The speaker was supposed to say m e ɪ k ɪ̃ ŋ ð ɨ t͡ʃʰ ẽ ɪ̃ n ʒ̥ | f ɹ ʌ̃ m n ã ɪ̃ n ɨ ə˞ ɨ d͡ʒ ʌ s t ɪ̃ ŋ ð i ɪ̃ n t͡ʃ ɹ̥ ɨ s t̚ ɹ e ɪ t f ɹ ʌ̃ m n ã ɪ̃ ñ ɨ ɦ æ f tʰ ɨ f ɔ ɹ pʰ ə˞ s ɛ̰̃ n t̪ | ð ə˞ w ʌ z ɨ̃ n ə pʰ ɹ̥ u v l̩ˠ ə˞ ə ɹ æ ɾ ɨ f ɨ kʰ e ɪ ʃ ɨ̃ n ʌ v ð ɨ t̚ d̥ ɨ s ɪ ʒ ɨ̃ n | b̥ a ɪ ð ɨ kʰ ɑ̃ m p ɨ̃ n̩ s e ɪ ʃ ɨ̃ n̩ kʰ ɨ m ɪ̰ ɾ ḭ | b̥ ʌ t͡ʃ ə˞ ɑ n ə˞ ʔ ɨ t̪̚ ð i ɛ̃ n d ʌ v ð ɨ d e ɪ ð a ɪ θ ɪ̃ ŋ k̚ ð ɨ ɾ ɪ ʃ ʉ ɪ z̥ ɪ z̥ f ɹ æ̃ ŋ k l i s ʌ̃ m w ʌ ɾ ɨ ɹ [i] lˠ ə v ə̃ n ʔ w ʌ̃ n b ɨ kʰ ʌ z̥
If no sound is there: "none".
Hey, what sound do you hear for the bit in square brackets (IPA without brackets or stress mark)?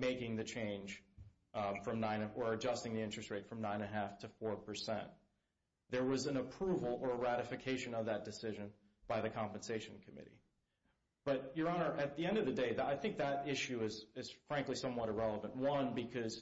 ɛ